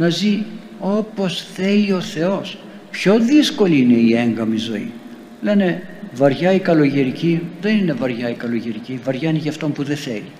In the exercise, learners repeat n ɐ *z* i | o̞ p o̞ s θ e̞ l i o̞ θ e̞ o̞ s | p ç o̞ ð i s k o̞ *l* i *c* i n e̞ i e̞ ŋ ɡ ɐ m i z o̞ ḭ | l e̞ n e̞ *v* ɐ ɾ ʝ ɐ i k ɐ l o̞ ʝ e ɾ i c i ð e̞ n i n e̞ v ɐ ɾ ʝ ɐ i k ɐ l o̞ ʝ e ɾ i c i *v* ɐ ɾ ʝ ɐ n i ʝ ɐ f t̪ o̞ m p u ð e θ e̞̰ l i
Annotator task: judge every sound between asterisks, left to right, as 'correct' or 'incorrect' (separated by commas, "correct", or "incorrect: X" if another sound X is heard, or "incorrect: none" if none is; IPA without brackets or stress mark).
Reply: correct, correct, incorrect: none, correct, correct